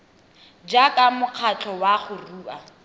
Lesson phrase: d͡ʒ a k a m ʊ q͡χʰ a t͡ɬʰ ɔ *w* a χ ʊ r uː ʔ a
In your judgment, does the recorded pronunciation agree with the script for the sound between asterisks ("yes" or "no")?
yes